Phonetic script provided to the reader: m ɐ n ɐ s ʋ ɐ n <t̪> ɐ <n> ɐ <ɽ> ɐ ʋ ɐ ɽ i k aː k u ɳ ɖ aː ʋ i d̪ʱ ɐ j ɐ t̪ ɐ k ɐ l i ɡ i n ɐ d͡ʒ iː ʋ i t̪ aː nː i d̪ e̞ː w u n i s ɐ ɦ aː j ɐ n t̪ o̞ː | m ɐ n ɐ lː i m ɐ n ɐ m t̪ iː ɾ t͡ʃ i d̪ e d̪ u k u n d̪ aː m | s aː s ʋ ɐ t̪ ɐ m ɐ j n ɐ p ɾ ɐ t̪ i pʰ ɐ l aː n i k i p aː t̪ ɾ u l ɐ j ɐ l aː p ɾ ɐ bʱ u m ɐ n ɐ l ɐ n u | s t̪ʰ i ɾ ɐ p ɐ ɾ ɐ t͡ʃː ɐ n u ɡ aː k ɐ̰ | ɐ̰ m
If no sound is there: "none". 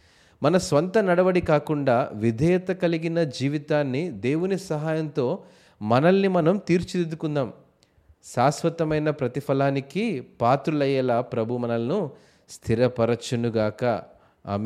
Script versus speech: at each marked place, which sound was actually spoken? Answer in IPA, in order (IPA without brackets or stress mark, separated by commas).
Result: t̪, n, ɽ